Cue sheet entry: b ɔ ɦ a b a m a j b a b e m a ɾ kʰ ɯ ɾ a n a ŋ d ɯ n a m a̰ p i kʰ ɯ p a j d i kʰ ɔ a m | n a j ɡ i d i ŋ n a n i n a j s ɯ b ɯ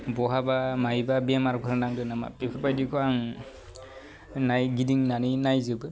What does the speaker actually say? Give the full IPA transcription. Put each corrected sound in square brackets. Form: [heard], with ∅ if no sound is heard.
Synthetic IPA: b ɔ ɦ a b a m a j b a b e m a ɾ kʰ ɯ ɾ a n a ŋ d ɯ n a m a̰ p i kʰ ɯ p a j d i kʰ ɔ a [ŋ] | n a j ɡ i d i ŋ n a n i n a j [z] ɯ b ɯ